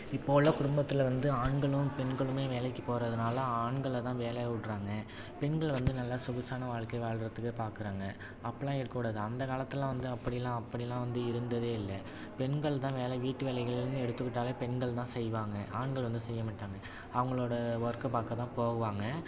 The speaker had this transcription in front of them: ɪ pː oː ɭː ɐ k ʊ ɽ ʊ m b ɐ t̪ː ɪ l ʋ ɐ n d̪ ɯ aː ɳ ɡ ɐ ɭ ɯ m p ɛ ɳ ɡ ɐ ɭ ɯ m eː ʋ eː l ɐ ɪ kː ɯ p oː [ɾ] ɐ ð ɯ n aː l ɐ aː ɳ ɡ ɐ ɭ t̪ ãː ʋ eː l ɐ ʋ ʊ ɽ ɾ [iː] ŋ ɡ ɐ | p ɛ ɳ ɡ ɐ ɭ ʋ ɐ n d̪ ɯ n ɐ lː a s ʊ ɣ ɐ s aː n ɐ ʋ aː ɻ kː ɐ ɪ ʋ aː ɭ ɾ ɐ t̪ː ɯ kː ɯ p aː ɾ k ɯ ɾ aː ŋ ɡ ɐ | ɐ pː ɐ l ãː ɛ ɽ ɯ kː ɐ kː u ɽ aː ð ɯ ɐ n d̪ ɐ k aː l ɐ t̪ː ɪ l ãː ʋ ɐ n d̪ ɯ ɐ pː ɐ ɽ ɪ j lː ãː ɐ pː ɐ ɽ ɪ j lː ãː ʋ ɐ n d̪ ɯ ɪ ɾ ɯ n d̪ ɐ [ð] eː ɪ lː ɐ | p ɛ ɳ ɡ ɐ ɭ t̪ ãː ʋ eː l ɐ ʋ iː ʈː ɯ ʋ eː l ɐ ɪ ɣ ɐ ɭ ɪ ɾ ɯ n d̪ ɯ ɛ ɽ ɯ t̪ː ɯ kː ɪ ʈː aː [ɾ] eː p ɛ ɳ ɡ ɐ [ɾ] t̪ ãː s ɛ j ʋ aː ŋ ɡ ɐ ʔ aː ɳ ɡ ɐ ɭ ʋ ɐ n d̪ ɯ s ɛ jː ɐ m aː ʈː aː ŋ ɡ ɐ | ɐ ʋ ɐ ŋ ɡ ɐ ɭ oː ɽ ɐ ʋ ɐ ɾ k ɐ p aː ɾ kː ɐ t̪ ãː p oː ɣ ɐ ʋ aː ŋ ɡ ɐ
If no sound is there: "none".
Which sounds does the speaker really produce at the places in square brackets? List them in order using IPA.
ɾ, aː, ð, l, ɭ

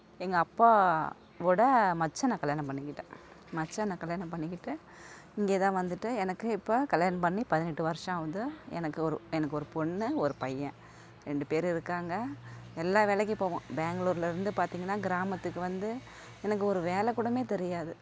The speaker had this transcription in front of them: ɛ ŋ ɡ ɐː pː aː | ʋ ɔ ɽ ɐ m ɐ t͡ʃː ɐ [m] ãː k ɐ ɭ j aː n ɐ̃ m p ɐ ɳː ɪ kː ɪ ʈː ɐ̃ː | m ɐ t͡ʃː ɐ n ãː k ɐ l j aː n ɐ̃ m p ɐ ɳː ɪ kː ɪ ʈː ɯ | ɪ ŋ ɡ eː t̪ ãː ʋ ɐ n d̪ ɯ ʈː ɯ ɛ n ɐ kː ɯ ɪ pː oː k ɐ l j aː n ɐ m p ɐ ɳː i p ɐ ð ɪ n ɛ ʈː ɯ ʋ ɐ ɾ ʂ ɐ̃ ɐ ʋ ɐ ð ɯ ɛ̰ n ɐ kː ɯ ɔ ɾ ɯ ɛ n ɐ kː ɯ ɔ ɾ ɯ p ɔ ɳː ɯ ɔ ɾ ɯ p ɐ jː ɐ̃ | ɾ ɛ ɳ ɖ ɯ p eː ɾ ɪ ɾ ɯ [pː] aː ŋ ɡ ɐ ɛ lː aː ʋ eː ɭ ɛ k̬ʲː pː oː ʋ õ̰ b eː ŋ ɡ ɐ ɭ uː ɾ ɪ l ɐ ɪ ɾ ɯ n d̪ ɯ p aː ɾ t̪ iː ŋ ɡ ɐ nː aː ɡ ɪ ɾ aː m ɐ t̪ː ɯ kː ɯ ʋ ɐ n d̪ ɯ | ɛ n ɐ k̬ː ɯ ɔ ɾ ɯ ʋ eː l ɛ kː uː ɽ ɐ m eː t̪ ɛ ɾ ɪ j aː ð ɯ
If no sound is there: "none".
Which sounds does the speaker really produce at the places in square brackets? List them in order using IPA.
n, kː

